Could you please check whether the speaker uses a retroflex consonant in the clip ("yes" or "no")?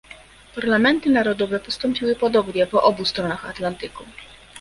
no